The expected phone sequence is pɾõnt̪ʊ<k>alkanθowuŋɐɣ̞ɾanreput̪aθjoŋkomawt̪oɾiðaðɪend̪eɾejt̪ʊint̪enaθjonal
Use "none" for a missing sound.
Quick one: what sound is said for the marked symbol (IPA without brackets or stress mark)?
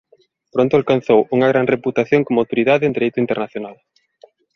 none